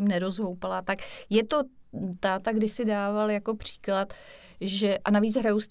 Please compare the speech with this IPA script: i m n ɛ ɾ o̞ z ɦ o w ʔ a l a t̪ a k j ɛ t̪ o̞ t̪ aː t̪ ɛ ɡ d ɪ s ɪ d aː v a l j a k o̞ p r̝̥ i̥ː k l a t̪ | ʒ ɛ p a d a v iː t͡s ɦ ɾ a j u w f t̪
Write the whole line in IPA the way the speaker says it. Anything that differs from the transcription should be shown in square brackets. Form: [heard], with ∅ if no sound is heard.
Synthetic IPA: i m n ɛ ɾ o̞ z ɦ o w [p] a l a t̪ a k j ɛ t̪ o̞ t̪ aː t̪ [a] ɡ d ɪ s ɪ d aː v a l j a k o̞ p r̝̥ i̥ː k l a t̪ | ʒ ɛ [ʔ] a [n] a v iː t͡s ɦ ɾ a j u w [s] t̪